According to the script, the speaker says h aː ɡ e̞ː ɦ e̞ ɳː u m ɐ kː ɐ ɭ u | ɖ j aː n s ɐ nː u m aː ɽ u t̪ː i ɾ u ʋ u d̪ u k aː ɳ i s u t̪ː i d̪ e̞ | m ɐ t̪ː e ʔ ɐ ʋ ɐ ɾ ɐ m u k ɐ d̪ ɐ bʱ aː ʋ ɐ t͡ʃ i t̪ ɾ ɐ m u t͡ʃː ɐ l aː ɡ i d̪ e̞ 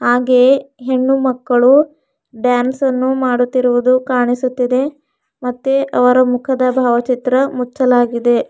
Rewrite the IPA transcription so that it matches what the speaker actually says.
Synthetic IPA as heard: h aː ɡ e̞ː ɦ e̞ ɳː u m ɐ kː ɐ ɭ u | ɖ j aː n s ɐ nː u m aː ɽ u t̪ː i ɾ u ʋ u d̪ u k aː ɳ i s u t̪ː i d̪ e̞ | m ɐ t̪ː e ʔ ɐ ʋ ɐ ɾ ɐ m u kʰ ɐ d̪ ɐ bʱ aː ʋ ɐ t͡ʃ i t̪ ɾ ɐ m u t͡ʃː ɐ l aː ɡ i d̪ e̞